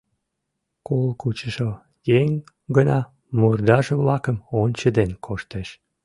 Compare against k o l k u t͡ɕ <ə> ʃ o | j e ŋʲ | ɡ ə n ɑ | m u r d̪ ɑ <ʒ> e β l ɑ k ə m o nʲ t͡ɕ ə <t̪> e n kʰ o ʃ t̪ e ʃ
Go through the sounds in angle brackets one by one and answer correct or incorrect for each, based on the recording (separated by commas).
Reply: correct, correct, incorrect